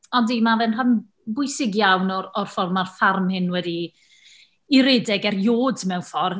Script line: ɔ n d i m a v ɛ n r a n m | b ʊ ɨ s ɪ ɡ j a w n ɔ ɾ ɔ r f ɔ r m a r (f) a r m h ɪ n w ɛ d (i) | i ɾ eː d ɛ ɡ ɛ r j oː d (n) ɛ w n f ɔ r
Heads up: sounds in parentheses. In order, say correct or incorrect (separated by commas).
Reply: correct, correct, incorrect